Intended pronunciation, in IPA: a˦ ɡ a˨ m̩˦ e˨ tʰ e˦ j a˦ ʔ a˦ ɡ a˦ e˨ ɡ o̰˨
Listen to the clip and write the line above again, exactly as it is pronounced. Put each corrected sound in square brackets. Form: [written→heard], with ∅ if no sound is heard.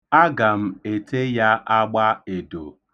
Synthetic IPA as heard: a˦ ɡ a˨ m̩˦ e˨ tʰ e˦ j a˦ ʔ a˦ [ɡ→ɡ͡b] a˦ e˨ [ɡ→d] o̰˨